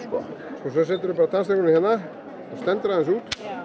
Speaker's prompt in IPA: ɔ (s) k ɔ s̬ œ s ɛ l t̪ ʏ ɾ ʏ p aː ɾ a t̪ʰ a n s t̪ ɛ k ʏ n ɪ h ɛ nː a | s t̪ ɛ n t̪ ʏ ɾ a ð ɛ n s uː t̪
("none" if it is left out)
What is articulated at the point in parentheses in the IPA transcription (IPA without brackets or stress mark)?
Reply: s